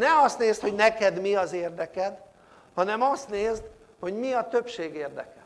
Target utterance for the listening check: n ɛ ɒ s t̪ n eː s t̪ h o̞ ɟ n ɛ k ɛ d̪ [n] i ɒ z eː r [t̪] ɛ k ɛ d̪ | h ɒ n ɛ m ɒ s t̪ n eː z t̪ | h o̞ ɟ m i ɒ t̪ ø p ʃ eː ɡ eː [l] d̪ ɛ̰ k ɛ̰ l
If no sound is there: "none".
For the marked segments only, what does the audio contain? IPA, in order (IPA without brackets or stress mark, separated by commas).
m, d̪, r